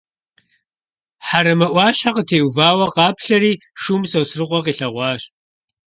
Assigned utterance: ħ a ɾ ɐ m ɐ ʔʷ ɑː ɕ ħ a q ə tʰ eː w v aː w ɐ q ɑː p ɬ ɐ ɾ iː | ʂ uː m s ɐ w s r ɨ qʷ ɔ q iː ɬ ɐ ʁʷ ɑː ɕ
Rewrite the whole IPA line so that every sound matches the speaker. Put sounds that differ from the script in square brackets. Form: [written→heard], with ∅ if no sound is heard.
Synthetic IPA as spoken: ħ a ɾ ɐ m ɐ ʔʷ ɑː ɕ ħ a q ə tʰ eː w v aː w ɐ q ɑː p ɬ ɐ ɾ iː | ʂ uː m s ɐ w s r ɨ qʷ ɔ q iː ɬ ɐ ʁʷ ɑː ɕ

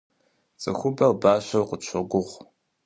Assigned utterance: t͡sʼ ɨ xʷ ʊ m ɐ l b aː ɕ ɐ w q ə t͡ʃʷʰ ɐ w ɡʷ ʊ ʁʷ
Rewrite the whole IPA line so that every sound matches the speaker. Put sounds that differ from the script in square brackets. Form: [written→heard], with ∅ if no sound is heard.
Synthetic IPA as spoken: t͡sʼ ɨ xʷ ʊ [m→b] ɐ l b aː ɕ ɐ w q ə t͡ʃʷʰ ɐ [w→∅] ɡʷ ʊ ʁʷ

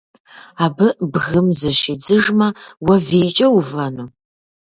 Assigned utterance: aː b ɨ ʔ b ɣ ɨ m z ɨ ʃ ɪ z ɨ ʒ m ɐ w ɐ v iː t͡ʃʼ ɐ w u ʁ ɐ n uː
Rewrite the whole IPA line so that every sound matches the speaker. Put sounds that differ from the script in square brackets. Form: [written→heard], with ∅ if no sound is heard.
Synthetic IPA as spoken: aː b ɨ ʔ b ɣ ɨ m z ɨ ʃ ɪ [z→d͡z] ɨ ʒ m ɐ w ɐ v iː t͡ʃʼ ɐ w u [ʁ→v] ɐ n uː

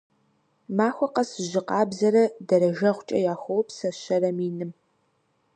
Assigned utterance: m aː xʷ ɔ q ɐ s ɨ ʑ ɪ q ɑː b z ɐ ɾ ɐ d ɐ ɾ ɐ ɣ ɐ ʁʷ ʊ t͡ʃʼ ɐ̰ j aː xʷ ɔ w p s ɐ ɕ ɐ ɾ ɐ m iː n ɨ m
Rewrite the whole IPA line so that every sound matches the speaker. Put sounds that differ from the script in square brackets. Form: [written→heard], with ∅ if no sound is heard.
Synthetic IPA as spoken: m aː xʷ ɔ q ɐ s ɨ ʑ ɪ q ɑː b z ɐ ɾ ɐ d ɐ ɾ ɐ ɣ ɐ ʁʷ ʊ t͡ʃʼ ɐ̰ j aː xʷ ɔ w p s ɐ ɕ ɐ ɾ ɐ m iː n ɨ m

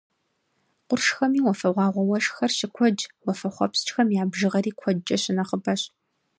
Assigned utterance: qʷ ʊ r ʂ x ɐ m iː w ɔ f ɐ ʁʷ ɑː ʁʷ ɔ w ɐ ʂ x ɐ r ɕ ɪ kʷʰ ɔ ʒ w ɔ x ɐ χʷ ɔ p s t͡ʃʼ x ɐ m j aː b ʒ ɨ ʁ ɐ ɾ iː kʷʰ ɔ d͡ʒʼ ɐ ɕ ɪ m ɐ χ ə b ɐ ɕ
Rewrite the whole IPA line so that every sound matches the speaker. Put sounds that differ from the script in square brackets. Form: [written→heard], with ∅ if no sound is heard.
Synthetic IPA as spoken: qʷ ʊ r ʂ x ɐ m iː w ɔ f ɐ ʁʷ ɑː ʁʷ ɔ w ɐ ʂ x ɐ r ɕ ɪ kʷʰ ɔ [ʒ→d͡ʒ] w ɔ [x→f] ɐ χʷ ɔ p s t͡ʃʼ x ɐ m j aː b ʒ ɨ ʁ ɐ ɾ iː kʷʰ ɔ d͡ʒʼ ɐ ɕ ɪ [m→n] ɐ χ ə b ɐ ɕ

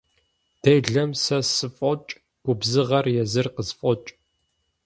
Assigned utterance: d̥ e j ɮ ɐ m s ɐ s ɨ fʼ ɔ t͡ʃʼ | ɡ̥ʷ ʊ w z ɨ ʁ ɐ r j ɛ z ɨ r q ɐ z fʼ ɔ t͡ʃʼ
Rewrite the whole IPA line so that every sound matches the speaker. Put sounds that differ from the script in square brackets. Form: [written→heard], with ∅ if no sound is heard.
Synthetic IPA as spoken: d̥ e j ɮ ɐ m s ɐ s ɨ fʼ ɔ t͡ʃʼ | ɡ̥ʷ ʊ [w→b] z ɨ ʁ ɐ r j ɛ z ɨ r q [ɐ→ə] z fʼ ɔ t͡ʃʼ

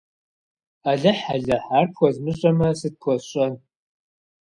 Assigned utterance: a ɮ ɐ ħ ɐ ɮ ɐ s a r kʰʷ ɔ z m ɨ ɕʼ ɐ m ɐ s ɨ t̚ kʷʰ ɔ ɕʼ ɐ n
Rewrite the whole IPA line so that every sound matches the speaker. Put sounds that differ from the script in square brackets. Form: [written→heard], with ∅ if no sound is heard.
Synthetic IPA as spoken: a ɮ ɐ ħ [ɐ→a] ɮ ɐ [s→ħ] a r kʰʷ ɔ z m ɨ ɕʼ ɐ m ɐ s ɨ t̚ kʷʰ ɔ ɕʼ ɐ n

